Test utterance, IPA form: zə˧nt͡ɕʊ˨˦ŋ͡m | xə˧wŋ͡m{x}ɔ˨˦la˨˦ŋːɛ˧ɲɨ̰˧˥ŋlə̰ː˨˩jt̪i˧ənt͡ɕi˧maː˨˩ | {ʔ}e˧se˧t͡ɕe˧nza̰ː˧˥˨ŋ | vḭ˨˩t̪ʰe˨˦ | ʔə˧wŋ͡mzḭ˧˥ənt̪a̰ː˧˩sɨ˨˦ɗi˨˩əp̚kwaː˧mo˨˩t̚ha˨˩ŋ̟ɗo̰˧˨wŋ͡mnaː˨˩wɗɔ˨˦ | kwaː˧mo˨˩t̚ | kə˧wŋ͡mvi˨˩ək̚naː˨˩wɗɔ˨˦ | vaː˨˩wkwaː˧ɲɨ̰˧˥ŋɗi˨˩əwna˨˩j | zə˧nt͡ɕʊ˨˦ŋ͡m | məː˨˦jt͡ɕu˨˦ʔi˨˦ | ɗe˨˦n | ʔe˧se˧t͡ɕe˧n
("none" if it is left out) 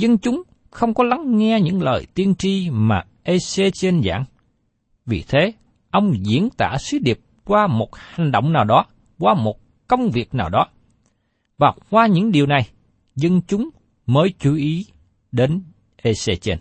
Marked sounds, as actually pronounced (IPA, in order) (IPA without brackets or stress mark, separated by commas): k, ʔ